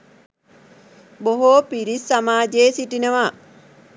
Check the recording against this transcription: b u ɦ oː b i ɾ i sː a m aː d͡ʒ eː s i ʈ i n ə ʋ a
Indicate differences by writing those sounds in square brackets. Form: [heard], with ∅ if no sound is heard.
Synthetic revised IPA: b [o] ɦ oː [p] i ɾ i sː a m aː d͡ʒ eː s i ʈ i n ə ʋ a